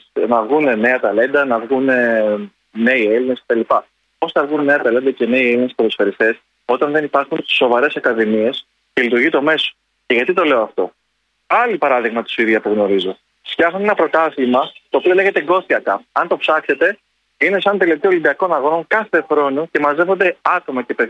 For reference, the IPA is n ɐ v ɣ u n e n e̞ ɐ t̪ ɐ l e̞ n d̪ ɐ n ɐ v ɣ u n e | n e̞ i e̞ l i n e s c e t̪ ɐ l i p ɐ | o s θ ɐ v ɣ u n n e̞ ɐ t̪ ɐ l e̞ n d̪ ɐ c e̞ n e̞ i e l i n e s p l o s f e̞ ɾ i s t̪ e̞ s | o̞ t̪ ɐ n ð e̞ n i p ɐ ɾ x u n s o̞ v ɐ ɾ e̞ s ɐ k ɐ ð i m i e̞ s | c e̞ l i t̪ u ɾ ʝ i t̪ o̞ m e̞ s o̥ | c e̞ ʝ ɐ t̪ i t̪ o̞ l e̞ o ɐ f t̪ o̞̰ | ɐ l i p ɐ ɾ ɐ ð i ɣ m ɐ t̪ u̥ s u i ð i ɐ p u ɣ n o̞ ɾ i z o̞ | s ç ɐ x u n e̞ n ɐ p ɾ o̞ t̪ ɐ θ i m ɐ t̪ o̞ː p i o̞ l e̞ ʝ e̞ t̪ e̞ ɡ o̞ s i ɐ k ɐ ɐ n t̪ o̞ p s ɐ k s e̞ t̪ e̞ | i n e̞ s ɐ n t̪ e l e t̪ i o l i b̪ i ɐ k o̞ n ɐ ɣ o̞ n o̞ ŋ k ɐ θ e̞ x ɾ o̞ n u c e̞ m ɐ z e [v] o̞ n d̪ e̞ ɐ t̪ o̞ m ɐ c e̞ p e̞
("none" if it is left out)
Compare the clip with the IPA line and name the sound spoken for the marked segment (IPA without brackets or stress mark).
v